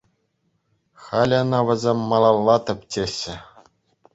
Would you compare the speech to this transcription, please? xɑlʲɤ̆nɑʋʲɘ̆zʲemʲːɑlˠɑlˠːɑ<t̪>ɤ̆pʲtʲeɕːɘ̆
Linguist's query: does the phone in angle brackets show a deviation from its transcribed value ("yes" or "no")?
no